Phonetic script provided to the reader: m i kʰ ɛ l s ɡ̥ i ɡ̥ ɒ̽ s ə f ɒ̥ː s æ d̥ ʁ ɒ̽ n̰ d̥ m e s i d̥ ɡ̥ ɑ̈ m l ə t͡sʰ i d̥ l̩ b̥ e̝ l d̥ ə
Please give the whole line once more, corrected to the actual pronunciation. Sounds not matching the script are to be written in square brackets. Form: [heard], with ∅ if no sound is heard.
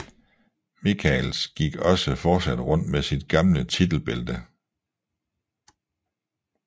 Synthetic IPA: m i kʰ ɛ l s ɡ̥ i ɡ̥ ɒ̽ s ə f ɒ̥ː s æ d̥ ʁ [ɔ̽] n̰ d̥ m e s i d̥ ɡ̥ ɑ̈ m l ə t͡sʰ i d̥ l̩ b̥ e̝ l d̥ ə